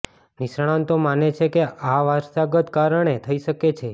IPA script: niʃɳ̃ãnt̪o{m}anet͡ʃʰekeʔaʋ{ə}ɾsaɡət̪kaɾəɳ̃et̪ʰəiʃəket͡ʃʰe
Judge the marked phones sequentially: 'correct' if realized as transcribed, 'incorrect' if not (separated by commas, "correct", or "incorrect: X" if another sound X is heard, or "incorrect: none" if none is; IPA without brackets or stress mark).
correct, incorrect: a